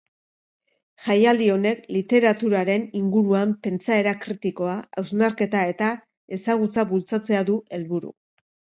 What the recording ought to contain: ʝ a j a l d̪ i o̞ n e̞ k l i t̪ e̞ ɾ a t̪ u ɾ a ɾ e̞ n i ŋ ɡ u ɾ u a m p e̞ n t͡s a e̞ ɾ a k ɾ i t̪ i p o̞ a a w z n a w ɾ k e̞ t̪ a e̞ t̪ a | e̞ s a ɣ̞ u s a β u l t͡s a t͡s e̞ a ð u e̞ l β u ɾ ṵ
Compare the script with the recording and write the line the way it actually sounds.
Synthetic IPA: ʝ a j a l d̪ i o̞ n e̞ k l i t̪ e̞ ɾ a t̪ u ɾ a ɾ e̞ n i ŋ ɡ u ɾ u a m p e̞ n t͡s a e̞ ɾ a k ɾ i t̪ i k o̞ a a w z n a ɾ k e̞ t̪ a e̞ t̪ a | e̞ s a ɣ̞ u t͡s a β u l t͡s a t͡s e̞ a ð u e̞ l β u ɾ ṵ